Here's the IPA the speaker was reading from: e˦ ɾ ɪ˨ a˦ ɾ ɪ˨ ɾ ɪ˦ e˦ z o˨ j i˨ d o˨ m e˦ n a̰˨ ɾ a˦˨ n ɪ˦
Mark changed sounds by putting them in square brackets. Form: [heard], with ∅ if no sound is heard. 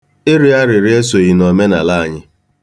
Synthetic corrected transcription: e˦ ɾ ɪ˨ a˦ ɾ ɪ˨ ɾ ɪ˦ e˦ [s] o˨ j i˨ [n] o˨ m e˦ n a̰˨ [l] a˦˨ [ɲ] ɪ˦